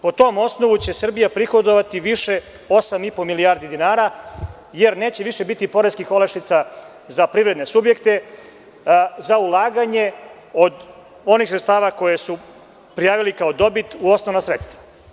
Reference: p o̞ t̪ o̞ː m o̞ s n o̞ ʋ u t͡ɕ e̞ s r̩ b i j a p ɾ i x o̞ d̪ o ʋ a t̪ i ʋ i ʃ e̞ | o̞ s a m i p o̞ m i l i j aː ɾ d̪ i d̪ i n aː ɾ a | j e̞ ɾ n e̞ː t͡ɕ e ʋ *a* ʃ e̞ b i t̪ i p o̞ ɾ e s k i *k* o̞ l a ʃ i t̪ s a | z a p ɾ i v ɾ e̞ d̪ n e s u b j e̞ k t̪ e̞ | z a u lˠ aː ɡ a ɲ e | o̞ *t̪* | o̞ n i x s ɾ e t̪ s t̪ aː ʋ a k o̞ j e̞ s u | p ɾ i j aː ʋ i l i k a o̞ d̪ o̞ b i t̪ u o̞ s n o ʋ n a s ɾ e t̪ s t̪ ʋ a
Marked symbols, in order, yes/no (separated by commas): no, no, no